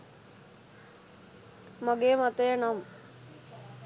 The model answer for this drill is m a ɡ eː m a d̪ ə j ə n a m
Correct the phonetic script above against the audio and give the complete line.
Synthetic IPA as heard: m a ɡ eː m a t̪ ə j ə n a m